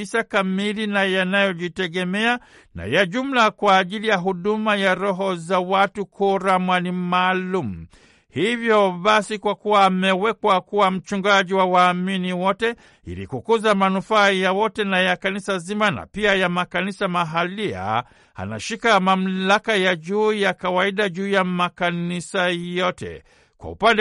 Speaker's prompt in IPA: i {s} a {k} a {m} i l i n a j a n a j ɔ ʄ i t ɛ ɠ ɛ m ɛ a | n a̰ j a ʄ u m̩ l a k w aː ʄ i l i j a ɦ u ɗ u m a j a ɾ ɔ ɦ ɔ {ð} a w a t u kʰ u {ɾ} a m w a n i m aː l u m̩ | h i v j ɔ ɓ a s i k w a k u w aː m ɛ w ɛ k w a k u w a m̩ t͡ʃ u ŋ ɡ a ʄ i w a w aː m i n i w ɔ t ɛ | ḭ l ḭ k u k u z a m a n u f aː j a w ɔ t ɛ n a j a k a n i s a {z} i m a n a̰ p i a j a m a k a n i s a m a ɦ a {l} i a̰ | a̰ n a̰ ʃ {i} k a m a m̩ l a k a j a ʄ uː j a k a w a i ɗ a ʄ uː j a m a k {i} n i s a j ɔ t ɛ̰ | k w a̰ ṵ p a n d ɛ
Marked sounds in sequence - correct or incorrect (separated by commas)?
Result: correct, correct, correct, incorrect, correct, correct, correct, correct, incorrect